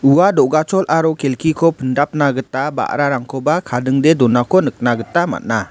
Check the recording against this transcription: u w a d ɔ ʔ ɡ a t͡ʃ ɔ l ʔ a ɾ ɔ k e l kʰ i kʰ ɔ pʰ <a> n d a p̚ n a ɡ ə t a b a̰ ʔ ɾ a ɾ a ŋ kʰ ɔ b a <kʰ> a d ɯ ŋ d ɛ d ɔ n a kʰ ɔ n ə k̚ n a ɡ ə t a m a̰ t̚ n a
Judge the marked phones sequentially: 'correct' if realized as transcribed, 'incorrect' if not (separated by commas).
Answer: incorrect, correct